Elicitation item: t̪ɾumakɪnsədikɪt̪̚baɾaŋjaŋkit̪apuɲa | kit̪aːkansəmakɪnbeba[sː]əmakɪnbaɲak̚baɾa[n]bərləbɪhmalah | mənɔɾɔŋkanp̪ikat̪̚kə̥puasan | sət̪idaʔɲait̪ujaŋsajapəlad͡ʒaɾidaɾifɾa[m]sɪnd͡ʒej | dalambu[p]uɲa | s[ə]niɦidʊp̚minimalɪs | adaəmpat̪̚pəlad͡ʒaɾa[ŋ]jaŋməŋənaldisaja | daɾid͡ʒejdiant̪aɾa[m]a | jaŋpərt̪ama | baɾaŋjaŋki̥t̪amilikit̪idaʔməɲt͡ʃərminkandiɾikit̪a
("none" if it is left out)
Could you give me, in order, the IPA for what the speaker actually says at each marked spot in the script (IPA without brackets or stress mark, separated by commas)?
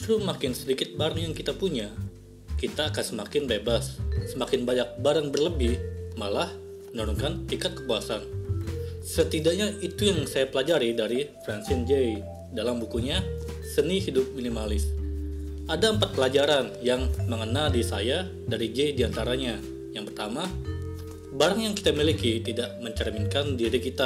sː, ŋ, n, k, ə, n, ɲ